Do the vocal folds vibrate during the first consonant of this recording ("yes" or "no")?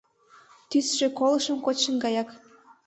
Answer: no